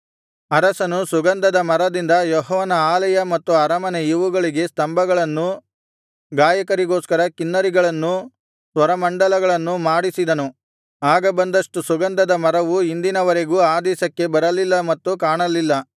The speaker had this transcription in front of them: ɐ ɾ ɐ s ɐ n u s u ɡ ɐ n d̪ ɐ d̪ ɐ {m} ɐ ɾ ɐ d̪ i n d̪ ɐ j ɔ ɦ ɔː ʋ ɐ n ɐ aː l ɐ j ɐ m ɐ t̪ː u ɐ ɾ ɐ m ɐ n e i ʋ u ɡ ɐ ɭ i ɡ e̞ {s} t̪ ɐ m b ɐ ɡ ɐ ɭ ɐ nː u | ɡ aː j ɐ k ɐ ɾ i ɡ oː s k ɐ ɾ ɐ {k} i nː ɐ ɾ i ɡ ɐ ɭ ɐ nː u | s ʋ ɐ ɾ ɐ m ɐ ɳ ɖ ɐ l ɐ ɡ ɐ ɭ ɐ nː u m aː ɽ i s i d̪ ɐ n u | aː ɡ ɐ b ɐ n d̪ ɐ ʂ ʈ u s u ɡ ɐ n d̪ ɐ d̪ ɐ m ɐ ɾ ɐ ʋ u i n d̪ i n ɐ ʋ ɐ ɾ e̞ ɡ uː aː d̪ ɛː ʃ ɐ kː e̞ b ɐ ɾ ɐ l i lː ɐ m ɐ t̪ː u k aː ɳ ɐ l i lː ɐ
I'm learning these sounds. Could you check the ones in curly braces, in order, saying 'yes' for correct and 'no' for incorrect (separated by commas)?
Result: yes, yes, yes